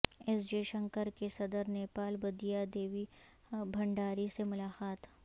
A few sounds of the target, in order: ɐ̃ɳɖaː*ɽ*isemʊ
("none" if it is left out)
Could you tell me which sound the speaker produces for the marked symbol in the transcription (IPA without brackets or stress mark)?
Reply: ɾ